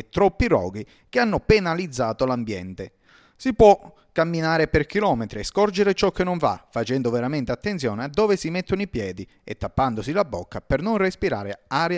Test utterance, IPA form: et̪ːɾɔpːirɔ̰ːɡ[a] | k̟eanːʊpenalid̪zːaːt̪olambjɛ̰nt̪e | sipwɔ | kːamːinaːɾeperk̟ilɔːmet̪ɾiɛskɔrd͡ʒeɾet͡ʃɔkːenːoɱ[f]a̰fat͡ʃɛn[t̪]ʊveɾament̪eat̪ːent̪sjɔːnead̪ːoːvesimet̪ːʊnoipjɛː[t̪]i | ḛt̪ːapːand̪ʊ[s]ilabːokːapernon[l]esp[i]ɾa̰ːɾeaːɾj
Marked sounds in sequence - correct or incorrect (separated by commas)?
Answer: incorrect, incorrect, incorrect, incorrect, correct, incorrect, correct